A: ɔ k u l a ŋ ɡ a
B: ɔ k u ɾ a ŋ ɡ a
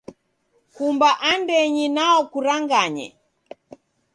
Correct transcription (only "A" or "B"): B